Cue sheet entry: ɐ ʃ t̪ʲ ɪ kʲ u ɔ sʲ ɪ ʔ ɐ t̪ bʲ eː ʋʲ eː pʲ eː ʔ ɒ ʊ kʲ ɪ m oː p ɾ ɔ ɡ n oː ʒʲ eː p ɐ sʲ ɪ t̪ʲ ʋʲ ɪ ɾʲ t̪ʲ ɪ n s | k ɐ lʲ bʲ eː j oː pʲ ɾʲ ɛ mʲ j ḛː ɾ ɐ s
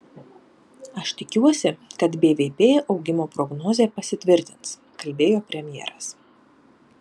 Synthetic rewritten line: ɐ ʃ t̪ʲ ɪ kʲ u ɔ sʲ ɪ k ɐ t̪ bʲ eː ʋʲ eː pʲ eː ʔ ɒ ʊ ɡʲ ɪ m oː p ɾ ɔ ɡ n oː zʲ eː p ɐ sʲ ɪ t̪ʲ ʋʲ ɪ ɾʲ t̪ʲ ɪ n s | k ɐ lʲ bʲ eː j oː pʲ ɾʲ ɛ mʲ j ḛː ɾ ɐ s